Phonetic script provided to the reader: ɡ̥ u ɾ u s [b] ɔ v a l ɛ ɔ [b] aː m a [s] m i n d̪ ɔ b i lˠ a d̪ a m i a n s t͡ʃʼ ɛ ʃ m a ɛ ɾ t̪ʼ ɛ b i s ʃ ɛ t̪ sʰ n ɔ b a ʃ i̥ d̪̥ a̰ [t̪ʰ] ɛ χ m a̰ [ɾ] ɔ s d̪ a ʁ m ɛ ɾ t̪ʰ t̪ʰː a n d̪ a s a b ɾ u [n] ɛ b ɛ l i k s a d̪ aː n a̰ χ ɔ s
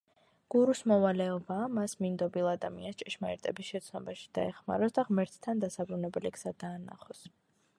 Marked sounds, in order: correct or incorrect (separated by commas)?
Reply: incorrect, correct, correct, incorrect, correct, correct